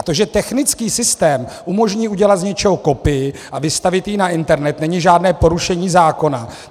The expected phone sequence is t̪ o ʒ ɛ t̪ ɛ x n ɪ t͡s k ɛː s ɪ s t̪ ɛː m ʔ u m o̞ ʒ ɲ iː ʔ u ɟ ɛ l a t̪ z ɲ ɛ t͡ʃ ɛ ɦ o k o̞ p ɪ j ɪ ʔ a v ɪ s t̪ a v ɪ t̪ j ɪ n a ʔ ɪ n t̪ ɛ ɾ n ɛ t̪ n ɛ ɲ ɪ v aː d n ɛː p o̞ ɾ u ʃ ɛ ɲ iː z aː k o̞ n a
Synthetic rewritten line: t̪ o ʒ ɛ t̪ ɛ x n ɪ t͡s k iː s ɪ s t̪ ɛː m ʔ u m o̞ ʒ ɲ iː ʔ u ɟ ɛ l a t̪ z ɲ ɛ t͡ʃ ɛ ɦ o k o̞ p ɪ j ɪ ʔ a v ɪ s t̪ a v ɪ t̪ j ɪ n a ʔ ɪ n t̪ ɛ ɾ n ɛ t̪ n ɛ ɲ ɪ ʒ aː d n ɛː p o̞ ɾ u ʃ ɛ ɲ iː z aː k o̞ n a

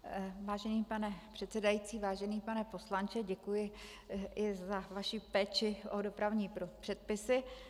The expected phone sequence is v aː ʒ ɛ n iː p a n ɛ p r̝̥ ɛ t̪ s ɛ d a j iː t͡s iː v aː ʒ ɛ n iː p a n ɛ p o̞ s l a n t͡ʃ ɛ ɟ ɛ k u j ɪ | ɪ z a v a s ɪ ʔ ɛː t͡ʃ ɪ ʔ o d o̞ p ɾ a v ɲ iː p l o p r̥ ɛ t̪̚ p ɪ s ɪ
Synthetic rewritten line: v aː ʒ ɛ n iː p a n ɛ p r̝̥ ɛ t̪ s ɛ d a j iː t͡s iː v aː ʒ ɛ n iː p a n ɛ p o̞ s l a n t͡ʃ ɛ ɟ ɛ k u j ɪ | ɪ z a v a ʃ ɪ p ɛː t͡ʃ ɪ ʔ o d o̞ p ɾ a v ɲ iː p ɾ o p r̥ ɛ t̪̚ p ɪ s ɪ

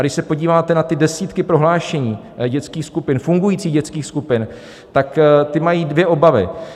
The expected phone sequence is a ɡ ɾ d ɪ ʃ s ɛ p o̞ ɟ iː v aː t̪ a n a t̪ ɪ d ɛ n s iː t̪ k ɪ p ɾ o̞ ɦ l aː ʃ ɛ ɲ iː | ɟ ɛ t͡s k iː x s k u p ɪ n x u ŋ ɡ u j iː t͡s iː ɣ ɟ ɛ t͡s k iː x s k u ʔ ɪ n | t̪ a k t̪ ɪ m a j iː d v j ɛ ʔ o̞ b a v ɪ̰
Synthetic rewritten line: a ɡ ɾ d ɪ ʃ s ɛ p o̞ ɟ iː v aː t̪ ɛ n a t̪ ɪ d ɛ s iː t̪ k ɪ p ɾ o̞ ɦ l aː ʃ ɛ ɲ iː | ɟ ɛ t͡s k iː x s k u p ɪ n f u ŋ ɡ u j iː t͡s iː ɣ ɟ ɛ t͡s k iː x s k u p ɪ n | t̪ a k t̪ ɪ m a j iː d v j ɛ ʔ o̞ b a v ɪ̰

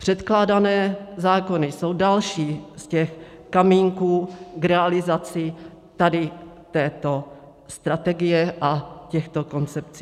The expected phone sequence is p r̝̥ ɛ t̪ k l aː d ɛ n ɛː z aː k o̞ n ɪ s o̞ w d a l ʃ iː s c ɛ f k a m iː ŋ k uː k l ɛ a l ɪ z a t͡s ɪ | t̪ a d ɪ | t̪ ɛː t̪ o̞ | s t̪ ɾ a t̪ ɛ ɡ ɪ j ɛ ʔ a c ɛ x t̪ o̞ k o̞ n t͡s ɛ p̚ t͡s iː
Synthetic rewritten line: p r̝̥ ɛ t̪ k l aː d a n ɛː z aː k o̞ n ɪ s o̞ w d a l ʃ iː s c ɛ x k a m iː ŋ k uː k ɾ ɛ a l ɪ z a t͡s ɪ | t̪ a d ɪ | t̪ ɛː t̪ o̞ | s t̪ ɾ a t̪ ɛ ɡ ɪ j ɛ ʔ a c ɛ x t̪ o̞ k o̞ n t͡s ɛ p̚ t͡s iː

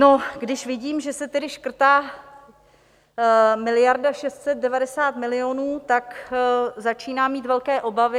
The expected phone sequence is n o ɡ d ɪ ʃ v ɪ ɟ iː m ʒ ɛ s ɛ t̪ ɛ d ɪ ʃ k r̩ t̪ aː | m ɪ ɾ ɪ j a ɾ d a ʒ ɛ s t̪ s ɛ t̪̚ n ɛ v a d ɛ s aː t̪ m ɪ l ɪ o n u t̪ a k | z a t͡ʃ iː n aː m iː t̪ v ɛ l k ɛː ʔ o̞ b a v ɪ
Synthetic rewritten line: n o ɡ d ɪ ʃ v ɪ ɟ iː m ʒ ɛ s ɛ t̪ ɛ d ɪ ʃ k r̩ t̪ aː | m ɪ l ɪ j a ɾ d a ʃ ɛ s t̪ s ɛ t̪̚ d ɛ v a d ɛ s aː t̪ m ɪ l ɪ o n uː t̪ a k | z a t͡ʃ iː n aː m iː t̪ v ɛ l k ɛː ʔ o̞ b a v ɪ

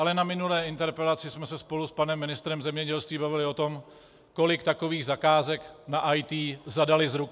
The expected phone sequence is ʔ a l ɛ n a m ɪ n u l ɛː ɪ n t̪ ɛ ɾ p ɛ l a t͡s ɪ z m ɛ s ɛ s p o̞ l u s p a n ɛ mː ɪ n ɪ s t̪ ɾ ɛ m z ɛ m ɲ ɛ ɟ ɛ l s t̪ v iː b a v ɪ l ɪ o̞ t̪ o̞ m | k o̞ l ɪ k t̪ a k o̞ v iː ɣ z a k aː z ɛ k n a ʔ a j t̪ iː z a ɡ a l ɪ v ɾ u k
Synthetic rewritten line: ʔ a l ɛ n a m ɪ n u l ɛː ɪ n t̪ ɛ ɾ p ɛ l a t͡s ɪ s m ɛ s ɛ s p o̞ l u s p a n ɛ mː ɪ n ɪ s t̪ ɾ ɛ m z ɛ m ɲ ɛ ɟ ɛ l s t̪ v iː b a v ɪ l ɪ o̞ t̪ o̞ m | k o̞ l ɪ k t̪ a k o̞ v iː ɣ z a k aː z ɛ k n a ʔ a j t̪ iː z a d a l ɪ z ɾ u k

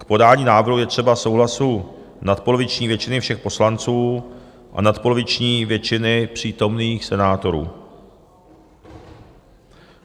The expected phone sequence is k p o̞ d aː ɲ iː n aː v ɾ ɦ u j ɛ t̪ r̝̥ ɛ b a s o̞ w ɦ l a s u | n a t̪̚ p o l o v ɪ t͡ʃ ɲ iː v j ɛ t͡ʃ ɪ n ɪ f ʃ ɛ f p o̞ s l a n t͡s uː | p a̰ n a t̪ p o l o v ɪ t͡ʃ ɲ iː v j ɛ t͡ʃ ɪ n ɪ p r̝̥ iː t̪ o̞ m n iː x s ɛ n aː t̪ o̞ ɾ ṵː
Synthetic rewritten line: k p o̞ d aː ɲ iː n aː v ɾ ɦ u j ɛ t̪ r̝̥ ɛ b a s o̞ w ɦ l a s u | n a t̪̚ p o l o v ɪ t͡ʃ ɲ iː v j ɛ t͡ʃ ɪ n ɪ f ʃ ɛ x p o̞ s l a n t͡s uː | ʔ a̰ n a t̪ p o l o v ɪ t͡ʃ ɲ iː v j ɛ t͡ʃ ɪ n ɪ p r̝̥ iː t̪ o̞ m n iː x s ɛ n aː t̪ o̞ ɾ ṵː

